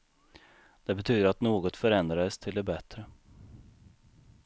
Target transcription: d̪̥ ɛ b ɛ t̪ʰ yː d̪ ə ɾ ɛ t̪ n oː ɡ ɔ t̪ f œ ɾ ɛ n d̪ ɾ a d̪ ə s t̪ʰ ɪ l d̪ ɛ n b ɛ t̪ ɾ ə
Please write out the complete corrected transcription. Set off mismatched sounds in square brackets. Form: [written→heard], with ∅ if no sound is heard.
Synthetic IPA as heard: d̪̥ ɛ b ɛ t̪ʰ yː d̪ ə ɾ [ɛ→a] t̪ n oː ɡ ɔ t̪ f œ ɾ ɛ n d̪ ɾ a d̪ ə s t̪ʰ ɪ l d̪ ɛ [n→∅] b ɛ t̪ ɾ ə